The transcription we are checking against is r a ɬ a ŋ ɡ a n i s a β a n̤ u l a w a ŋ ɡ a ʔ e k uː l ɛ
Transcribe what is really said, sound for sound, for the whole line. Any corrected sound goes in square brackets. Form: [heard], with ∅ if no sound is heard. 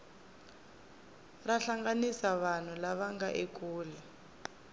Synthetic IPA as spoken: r a ɬ a ŋ ɡ a n i s a β a n̤ u l a [β] a ŋ ɡ a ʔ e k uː l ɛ